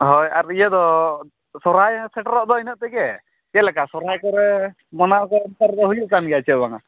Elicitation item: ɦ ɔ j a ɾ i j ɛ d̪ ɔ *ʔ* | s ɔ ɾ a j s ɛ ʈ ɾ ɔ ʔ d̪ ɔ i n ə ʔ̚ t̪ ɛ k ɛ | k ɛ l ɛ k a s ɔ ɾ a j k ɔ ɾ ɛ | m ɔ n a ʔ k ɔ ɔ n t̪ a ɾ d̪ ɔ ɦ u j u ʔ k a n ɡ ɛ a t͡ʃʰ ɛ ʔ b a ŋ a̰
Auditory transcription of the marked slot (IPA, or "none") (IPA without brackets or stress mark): none